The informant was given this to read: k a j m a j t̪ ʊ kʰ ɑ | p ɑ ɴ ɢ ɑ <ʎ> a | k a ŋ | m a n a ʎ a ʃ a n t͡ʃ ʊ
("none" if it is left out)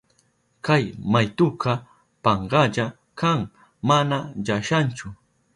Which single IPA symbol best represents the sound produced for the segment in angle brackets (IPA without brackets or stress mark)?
ʎ